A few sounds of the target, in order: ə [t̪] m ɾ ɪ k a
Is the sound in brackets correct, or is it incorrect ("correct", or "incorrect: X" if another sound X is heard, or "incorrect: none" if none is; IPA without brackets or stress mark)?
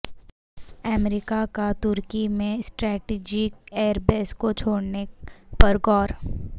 incorrect: none